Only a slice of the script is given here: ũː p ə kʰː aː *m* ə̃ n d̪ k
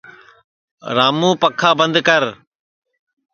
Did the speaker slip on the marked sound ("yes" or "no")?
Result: yes